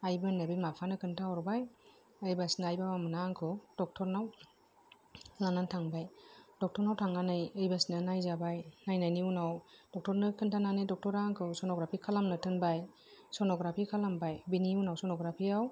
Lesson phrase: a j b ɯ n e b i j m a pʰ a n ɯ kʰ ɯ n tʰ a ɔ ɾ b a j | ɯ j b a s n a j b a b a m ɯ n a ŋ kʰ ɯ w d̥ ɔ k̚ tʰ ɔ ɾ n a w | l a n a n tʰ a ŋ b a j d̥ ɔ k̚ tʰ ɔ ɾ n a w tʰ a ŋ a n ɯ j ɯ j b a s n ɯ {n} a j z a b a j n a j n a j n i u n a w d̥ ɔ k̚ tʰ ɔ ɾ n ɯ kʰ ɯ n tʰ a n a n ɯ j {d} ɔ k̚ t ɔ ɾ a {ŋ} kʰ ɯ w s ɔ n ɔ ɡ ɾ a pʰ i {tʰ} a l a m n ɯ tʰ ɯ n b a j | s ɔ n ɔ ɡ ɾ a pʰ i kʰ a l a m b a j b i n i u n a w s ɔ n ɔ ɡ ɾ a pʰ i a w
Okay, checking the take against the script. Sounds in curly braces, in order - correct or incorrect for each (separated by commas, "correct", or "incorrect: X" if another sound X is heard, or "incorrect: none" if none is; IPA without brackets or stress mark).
correct, correct, correct, incorrect: kʰ